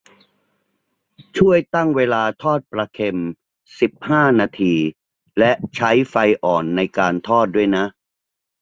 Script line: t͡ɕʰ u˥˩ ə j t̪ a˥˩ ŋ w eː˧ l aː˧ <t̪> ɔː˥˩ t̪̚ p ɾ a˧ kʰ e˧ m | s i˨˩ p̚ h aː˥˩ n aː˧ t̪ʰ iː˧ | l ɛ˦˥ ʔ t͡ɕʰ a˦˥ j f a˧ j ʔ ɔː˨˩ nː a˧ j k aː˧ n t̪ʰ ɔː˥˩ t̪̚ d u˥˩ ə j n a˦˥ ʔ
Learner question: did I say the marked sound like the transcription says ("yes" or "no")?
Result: no